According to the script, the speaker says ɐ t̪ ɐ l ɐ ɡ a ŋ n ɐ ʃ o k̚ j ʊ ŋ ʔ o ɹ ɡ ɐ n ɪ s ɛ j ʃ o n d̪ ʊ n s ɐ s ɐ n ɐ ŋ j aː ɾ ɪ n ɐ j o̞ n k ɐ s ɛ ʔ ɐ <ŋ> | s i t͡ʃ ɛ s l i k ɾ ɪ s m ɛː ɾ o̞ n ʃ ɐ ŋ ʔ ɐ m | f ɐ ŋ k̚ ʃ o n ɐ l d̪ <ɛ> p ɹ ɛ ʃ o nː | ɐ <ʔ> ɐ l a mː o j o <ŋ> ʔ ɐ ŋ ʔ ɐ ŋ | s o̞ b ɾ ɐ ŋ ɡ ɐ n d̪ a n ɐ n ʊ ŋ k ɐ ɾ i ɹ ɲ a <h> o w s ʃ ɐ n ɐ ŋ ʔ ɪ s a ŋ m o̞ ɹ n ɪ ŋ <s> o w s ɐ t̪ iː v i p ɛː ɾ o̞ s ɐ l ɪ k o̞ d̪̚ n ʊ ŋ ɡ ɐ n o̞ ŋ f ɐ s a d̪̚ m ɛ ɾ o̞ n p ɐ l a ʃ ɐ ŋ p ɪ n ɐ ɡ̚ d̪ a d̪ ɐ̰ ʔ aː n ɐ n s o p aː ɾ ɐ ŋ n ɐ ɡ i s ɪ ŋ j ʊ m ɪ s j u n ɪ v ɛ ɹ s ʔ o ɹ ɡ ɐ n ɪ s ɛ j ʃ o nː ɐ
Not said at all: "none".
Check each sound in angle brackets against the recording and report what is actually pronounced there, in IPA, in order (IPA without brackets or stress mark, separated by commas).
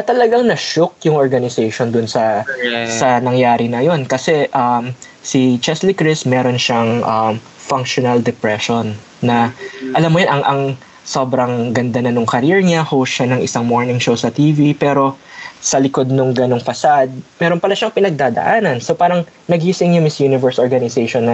m, ɛ, ʔ, n, h, ʃ